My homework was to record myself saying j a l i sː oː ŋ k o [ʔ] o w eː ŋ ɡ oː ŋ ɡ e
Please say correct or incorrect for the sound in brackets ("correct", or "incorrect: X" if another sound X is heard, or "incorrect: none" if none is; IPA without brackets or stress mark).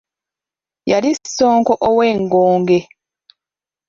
correct